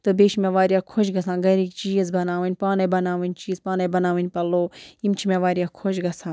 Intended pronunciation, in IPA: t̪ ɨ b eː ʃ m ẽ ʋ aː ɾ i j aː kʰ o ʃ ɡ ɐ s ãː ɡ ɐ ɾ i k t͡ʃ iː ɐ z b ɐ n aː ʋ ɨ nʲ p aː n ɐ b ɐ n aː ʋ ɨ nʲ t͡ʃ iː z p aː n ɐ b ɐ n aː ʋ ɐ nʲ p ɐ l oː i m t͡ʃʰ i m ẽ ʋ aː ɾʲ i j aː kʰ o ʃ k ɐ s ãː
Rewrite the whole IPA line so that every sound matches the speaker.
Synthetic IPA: t̪ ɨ b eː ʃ m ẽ ʋ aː ɾ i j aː kʰ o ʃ ɡ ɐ s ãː ɡ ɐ ɾ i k t͡ʃ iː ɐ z b ɐ n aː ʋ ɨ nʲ p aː n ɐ b ɐ n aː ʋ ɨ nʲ t͡ʃ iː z p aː n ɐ b ɐ n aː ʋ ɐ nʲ p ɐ l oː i m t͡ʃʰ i m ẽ ʋ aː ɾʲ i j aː kʰ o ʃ ɡ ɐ s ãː